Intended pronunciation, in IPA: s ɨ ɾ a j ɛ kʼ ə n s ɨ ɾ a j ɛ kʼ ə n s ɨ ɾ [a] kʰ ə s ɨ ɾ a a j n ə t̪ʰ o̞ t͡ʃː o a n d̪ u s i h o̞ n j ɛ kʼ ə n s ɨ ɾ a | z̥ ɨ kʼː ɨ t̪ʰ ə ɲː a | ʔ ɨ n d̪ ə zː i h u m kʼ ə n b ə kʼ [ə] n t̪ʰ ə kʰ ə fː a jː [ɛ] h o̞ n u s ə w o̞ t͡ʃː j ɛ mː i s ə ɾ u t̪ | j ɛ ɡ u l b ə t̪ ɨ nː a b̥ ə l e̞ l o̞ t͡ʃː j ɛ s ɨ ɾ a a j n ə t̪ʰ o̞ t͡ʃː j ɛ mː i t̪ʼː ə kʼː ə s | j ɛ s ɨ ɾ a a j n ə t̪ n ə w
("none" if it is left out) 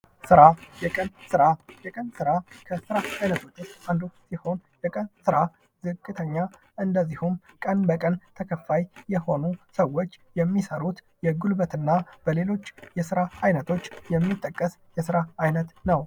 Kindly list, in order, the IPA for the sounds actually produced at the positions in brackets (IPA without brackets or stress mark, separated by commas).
a, ə, ɛ